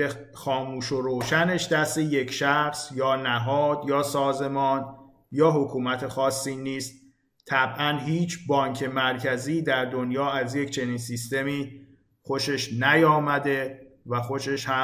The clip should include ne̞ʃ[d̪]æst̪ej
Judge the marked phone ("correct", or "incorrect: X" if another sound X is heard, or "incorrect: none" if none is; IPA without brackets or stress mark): correct